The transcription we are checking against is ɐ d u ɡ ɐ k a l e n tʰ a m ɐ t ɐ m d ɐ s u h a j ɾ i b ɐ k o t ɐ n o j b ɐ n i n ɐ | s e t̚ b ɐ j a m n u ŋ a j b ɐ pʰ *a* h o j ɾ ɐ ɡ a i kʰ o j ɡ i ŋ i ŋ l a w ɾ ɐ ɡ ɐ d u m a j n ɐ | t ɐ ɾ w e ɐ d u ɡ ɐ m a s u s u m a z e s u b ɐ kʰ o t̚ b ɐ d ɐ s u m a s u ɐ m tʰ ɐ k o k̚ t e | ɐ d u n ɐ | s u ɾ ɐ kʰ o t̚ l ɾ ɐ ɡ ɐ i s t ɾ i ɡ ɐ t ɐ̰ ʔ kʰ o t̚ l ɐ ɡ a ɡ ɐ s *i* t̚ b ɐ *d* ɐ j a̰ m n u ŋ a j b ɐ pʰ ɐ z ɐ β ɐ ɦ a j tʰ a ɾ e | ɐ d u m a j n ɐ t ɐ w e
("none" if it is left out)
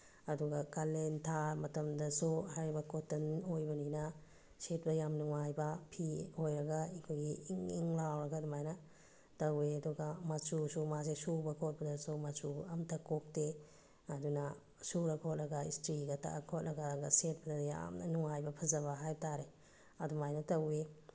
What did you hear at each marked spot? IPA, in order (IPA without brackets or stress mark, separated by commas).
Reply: i, e, d